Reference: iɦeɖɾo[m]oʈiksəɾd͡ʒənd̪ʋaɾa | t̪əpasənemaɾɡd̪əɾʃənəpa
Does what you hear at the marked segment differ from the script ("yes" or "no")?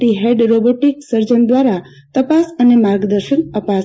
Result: yes